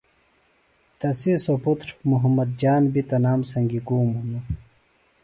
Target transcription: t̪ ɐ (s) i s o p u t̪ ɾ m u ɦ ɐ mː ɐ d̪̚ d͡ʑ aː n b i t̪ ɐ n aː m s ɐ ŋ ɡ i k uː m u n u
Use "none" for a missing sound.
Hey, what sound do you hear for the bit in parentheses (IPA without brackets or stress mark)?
s